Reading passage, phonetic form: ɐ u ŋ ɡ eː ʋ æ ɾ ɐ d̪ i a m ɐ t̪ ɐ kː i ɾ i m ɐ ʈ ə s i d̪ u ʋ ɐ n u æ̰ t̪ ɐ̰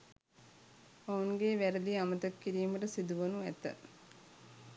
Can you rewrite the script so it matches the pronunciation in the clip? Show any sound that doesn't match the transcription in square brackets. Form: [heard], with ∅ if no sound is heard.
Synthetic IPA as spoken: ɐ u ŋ ɡ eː ʋ æ ɾ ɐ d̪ i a m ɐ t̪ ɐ kː i ɾ [iː] m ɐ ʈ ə s i d̪ u ʋ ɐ n u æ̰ t̪ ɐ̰